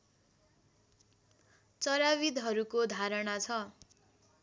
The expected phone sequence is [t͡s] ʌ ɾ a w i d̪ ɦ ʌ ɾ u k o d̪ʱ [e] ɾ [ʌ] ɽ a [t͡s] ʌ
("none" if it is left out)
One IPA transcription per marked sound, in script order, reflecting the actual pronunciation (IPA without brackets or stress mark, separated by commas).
t͡s, a, ʌ, t͡sʰ